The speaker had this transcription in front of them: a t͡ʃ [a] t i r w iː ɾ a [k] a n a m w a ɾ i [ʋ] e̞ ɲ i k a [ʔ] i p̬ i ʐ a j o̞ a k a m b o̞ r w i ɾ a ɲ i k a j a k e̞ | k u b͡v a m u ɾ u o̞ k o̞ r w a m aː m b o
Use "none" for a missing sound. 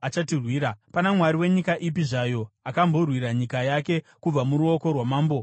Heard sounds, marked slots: a, p, w, ʔ

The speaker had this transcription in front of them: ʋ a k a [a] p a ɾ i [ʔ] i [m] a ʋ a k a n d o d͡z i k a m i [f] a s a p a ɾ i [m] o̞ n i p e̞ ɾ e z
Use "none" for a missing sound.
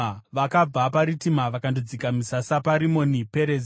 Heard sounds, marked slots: a, t, m, s, m

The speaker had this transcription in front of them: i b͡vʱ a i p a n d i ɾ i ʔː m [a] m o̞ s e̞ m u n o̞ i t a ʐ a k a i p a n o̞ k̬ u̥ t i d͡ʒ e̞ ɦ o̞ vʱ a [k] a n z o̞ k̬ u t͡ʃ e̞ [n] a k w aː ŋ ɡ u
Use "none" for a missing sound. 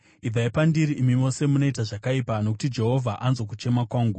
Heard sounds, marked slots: i, ʔ, m

